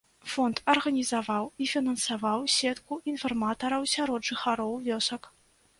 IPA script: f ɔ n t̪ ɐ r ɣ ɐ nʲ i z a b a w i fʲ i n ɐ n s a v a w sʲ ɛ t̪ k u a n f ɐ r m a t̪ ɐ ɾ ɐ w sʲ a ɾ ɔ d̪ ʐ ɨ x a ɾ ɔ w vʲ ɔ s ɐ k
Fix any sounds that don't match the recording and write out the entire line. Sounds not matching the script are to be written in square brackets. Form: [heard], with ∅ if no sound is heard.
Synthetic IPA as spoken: f ɔ n t̪ ɐ r ɣ ɐ nʲ i z a [v] a w i fʲ i n ɐ n s a v a w sʲ ɛ t̪ k u [i] n f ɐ r m a t̪ ɐ ɾ ɐ w sʲ a ɾ ɔ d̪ ʐ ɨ x a ɾ ɔ w vʲ ɔ s ɐ k